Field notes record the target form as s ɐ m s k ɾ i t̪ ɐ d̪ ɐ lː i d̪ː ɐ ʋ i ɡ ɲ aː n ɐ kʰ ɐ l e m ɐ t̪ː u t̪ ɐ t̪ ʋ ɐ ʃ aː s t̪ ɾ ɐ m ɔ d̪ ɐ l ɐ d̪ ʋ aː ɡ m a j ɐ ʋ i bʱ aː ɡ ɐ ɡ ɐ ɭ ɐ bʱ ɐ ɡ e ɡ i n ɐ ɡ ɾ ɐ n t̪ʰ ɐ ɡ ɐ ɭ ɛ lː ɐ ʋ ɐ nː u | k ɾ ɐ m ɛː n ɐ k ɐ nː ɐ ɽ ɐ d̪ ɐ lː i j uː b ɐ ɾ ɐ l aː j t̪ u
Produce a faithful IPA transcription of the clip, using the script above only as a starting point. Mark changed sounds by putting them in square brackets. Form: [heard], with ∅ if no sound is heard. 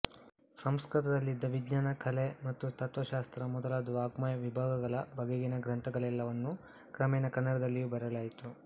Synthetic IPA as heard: s ɐ m s k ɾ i t̪ ɐ d̪ ɐ lː i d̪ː ɐ ʋ i ɡ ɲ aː n ɐ kʰ ɐ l e m ɐ t̪ː u t̪ ɐ t̪ ʋ ɐ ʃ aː s t̪ ɾ ɐ m ɔ d̪ ɐ l ɐ d̪ ʋ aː ɡ m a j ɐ ʋ i bʱ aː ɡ ɐ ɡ ɐ ɭ ɐ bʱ ɐ ɡ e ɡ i n ɐ ɡ ɾ ɐ n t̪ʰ ɐ ɡ ɐ ɭ ɛ lː ɐ ʋ ɐ nː u | k ɾ ɐ m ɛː n ɐ k ɐ nː ɐ ɽ ɐ d̪ ɐ lː i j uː b ɐ ɾ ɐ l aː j t̪ u